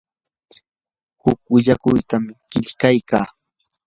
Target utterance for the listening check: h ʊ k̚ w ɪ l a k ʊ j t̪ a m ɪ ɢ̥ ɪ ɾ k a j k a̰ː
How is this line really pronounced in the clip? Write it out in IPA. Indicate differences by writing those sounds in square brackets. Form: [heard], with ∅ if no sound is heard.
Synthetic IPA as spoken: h ʊ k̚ w ɪ [ʎ] a k ʊ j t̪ a m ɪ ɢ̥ ɪ [ʎ] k a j k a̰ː